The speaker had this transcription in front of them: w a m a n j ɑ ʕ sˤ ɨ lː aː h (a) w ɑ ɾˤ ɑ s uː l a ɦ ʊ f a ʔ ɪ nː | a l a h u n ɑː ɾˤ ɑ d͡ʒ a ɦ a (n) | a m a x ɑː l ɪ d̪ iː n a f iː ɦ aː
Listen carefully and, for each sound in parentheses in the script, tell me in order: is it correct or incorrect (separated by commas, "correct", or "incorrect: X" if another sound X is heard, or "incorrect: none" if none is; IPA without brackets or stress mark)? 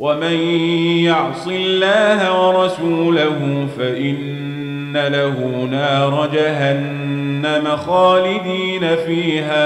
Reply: correct, incorrect: nː